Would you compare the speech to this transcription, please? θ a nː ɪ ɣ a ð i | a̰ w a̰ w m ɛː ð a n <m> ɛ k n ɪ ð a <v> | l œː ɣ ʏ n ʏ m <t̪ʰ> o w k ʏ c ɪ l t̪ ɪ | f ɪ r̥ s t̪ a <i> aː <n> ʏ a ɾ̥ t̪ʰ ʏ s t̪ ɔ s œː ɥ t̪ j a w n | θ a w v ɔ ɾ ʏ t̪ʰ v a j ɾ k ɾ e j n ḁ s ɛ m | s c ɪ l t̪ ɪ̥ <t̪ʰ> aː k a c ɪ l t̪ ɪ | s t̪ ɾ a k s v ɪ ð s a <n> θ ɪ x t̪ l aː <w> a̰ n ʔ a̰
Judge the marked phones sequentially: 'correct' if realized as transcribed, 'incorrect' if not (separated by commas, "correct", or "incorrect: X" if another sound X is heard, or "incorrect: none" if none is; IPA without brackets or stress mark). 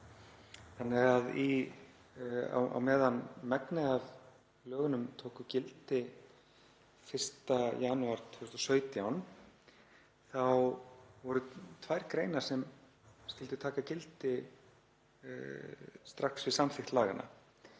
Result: correct, correct, correct, incorrect: j, correct, correct, incorrect: m, incorrect: ɣ